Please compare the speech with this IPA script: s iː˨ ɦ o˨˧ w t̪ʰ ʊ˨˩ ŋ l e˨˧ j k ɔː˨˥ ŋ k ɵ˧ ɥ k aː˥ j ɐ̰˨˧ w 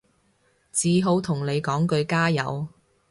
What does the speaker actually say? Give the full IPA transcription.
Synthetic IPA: t͡s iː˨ ɦ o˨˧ w t̪ʰ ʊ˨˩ ŋ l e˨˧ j k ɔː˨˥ ŋ k ɵ˧ ɥ k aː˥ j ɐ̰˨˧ w